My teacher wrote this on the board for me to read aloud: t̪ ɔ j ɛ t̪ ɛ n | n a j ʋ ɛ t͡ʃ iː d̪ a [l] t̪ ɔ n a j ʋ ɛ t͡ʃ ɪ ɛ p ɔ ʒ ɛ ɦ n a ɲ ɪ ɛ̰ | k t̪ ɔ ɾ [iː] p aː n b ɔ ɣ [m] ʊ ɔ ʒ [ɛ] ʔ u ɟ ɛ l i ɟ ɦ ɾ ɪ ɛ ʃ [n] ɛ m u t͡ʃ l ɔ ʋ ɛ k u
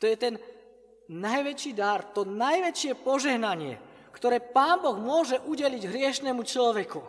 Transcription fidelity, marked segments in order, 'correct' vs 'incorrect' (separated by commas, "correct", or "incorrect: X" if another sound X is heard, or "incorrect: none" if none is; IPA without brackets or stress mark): incorrect: ɾ, incorrect: ɛː, correct, correct, correct